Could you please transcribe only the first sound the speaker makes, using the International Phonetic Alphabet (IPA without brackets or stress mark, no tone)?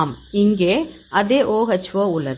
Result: m